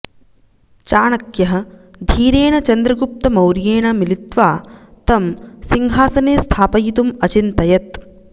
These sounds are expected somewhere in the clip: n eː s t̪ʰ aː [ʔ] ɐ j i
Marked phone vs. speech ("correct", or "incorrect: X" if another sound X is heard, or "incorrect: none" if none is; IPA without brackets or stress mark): incorrect: p